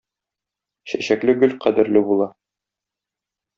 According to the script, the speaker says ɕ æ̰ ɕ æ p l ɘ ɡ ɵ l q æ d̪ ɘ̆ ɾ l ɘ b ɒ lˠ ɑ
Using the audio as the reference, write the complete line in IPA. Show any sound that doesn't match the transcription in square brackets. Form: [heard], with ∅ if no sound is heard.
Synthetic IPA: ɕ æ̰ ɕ æ [k] l ɘ ɡ ɵ l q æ d̪ ɘ̆ ɾ l ɘ b [u] lˠ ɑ